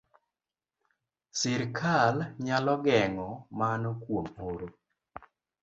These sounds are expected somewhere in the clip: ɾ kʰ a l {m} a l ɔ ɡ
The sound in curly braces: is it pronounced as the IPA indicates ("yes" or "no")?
no